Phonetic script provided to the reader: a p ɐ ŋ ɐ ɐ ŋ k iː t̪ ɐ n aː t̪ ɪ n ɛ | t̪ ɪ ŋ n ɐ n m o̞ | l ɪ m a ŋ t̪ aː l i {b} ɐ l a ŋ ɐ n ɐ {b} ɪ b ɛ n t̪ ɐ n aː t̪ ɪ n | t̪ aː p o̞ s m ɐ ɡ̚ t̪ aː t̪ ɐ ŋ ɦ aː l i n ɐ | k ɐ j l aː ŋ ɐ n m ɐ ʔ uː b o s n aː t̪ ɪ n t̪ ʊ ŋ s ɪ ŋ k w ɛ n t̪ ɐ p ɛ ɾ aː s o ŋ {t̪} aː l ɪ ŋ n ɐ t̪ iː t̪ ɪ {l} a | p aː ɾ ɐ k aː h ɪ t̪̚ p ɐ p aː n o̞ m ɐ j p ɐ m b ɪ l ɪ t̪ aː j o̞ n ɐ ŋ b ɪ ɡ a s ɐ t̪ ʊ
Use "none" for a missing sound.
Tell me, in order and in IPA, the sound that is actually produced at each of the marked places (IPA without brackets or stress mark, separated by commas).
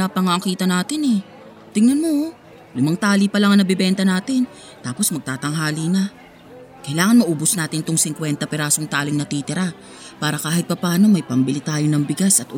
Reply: p, b, t̪, ɾ